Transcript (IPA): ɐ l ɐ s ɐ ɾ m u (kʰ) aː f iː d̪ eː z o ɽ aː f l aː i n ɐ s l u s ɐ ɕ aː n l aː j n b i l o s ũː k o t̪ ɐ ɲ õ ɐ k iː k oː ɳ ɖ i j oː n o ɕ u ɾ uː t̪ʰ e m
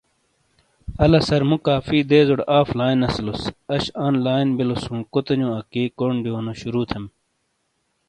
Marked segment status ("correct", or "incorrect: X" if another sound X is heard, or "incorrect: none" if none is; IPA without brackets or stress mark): incorrect: k